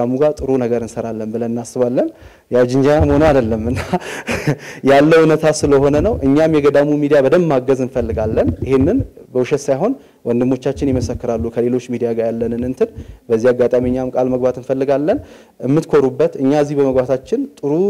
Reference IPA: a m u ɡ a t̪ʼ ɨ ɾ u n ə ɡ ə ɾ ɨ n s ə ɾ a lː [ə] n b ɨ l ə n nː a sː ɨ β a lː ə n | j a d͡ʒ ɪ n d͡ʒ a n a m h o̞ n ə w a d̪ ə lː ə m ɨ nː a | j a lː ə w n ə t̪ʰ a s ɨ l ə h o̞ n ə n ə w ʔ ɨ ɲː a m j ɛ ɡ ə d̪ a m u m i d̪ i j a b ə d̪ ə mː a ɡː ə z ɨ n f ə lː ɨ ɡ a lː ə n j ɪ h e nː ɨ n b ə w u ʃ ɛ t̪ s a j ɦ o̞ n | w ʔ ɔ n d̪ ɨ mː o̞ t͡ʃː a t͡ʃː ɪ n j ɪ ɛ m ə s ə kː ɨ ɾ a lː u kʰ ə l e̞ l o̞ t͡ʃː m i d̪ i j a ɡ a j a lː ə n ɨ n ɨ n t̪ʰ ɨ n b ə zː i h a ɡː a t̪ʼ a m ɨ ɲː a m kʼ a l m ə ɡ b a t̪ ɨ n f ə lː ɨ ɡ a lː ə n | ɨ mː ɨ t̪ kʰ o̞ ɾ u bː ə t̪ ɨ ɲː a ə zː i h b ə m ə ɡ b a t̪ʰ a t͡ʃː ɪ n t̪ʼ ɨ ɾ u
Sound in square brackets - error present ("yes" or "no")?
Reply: no